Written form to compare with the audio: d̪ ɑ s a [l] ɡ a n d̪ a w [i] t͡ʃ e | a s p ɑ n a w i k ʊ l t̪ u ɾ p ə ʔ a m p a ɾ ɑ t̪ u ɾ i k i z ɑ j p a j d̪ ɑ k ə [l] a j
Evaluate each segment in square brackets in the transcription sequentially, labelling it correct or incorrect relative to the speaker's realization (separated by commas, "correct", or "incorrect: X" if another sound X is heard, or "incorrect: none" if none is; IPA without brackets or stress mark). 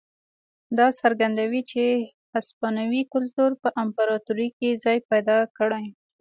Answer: incorrect: ɾ, correct, incorrect: ɽ